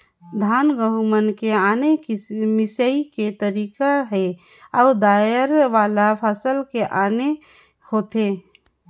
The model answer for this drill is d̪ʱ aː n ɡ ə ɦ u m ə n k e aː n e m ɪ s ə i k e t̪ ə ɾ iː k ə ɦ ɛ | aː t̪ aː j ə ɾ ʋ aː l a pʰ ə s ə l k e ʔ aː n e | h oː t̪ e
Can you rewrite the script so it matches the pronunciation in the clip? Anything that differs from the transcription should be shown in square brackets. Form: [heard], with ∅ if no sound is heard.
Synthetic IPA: d̪ʱ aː n ɡ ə ɦ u m ə n k e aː n e m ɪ s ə i k e t̪ ə ɾ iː k [a] ɦ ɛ | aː [d̪] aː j ə ɾ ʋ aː l a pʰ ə s ə l k e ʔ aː n e | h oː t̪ e

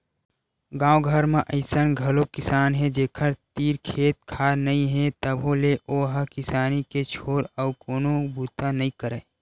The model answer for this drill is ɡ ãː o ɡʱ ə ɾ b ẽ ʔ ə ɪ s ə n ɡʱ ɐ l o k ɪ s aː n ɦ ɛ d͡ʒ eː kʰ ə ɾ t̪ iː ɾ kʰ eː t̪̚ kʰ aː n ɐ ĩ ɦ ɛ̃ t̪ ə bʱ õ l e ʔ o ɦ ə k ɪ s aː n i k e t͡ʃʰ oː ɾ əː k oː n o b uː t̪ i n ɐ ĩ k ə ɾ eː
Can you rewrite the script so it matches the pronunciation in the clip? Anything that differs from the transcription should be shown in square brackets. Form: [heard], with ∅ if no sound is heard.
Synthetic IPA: ɡ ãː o ɡʱ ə ɾ [m] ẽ ʔ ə ɪ s ə n ɡʱ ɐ l o k ɪ s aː n ɦ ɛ d͡ʒ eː kʰ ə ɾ t̪ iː ɾ kʰ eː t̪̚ kʰ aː n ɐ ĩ ɦ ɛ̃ t̪ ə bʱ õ l e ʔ o ɦ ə k ɪ s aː n i k e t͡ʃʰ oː ɾ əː k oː n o b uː t̪ [a] n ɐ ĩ k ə ɾ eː

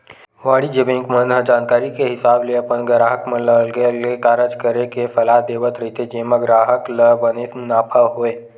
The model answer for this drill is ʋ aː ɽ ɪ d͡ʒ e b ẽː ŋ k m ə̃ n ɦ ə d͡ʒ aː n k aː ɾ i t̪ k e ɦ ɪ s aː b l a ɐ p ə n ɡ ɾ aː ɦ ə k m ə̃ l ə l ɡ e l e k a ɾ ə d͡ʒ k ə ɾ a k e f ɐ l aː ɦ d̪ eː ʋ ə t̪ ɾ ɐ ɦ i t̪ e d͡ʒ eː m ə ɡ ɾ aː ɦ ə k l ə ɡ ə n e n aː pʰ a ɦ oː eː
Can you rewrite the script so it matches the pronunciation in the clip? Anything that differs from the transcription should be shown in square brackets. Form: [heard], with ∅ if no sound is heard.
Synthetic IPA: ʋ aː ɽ [i] d͡ʒ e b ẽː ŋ k m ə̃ n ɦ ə d͡ʒ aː n k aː ɾ i [∅] k e ɦ ɪ s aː b l [e] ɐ p ə n ɡ ɾ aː ɦ ə k m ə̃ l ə l ɡ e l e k a ɾ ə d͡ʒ k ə ɾ [e] k e f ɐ l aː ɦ d̪ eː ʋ ə t̪ ɾ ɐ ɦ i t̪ e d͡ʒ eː m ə ɡ ɾ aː ɦ ə k l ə [b] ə n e n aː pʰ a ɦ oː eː

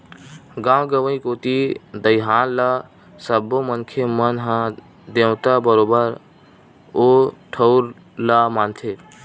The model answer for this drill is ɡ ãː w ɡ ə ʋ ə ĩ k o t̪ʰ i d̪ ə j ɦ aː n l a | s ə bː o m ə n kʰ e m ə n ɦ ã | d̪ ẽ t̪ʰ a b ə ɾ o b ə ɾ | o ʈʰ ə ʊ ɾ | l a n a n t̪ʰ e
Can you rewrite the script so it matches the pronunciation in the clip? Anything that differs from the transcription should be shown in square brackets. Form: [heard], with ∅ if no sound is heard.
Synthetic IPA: ɡ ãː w ɡ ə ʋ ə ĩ k o [t̪] i d̪ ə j ɦ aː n l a | s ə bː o m ə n kʰ e m ə n ɦ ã | d̪ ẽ [t̪] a b ə ɾ o b ə ɾ | o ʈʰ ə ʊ ɾ | l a [m] a n t̪ʰ e

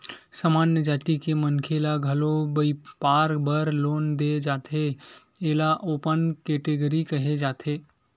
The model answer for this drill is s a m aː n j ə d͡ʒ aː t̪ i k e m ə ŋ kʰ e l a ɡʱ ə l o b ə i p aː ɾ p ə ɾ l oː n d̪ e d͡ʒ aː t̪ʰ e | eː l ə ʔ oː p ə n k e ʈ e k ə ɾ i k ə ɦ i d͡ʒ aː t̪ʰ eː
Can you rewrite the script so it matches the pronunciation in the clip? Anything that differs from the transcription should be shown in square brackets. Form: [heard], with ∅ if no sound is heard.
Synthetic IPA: s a m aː n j ə d͡ʒ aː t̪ i k e m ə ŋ kʰ e l a ɡʱ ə l o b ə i p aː ɾ [b] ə ɾ l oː n d̪ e d͡ʒ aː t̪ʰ e | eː l [a] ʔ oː p ə n k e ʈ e [ɡ] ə ɾ i k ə ɦ [e] d͡ʒ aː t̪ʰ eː

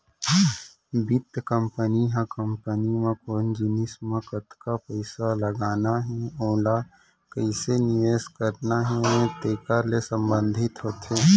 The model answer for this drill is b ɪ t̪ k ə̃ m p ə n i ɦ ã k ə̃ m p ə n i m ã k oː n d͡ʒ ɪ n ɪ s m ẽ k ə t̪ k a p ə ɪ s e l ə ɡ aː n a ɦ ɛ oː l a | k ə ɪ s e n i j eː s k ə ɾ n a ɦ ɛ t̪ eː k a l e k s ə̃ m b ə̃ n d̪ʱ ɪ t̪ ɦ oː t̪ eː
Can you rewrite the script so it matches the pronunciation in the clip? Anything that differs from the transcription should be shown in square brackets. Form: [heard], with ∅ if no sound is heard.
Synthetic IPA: b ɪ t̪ k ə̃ m p ə n i ɦ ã k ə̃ m p ə n i m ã k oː n d͡ʒ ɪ n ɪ s m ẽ k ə t̪ k a p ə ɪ s [a] l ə ɡ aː n a ɦ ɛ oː l a | k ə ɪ s e n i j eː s k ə ɾ n a ɦ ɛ t̪ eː k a l e [∅] s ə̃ m b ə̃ n d̪ʱ ɪ t̪ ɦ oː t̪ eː

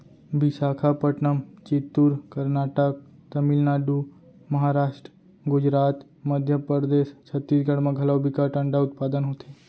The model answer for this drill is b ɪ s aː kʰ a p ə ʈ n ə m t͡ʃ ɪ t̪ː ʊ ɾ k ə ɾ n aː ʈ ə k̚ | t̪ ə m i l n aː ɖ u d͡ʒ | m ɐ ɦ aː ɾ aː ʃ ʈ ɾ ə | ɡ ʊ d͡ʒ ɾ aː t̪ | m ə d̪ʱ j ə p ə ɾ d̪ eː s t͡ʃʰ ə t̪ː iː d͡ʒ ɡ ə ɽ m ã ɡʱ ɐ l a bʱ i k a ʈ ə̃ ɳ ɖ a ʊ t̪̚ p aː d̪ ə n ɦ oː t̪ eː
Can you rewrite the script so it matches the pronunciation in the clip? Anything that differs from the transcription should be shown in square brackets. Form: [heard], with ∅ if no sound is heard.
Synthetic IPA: b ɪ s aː kʰ a p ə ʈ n ə m t͡ʃ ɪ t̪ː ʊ ɾ k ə ɾ n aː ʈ ə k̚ | t̪ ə m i l n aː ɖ u [∅] | m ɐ ɦ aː ɾ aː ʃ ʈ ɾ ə | ɡ ʊ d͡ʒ ɾ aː t̪ | m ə d̪ʱ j ə p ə ɾ d̪ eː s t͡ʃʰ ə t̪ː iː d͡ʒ ɡ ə ɽ m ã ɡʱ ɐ l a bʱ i k a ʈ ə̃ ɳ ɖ a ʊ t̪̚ p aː d̪ ə n ɦ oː t̪ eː

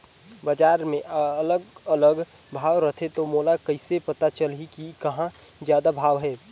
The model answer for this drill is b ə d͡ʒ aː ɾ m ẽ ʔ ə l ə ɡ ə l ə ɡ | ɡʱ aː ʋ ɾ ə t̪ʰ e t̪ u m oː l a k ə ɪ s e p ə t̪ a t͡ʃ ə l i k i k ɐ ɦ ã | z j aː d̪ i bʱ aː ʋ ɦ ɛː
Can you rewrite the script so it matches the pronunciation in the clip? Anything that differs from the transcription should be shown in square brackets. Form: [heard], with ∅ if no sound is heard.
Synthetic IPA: b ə d͡ʒ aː ɾ m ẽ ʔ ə l ə ɡ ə l ə ɡ | [bʱ] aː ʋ ɾ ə t̪ʰ e t̪ [o] m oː l a k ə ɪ s e p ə t̪ a t͡ʃ ə l i k i k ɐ ɦ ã | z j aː d̪ [a] bʱ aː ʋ ɦ ɛː

